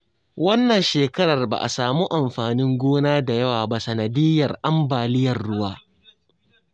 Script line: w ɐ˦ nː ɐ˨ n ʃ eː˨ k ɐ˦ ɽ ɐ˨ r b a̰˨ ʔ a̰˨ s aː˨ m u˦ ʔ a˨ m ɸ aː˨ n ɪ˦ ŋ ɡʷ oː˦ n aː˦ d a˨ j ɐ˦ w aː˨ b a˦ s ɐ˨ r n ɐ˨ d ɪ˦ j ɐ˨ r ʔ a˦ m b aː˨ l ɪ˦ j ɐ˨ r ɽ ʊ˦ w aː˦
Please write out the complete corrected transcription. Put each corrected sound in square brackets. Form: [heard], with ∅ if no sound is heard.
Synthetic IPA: w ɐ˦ nː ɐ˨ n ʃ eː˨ k ɐ˦ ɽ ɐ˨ r b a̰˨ ʔ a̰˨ s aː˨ m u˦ ʔ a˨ m ɸ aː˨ n ɪ˦ ŋ ɡʷ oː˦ n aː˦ d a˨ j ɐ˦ w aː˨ b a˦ s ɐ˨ [∅] n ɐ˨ d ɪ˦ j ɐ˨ r ʔ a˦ m b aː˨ l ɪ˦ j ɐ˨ r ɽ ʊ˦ w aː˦